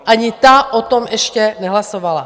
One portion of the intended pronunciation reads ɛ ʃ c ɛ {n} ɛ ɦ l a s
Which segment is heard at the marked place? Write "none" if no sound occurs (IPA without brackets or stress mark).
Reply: n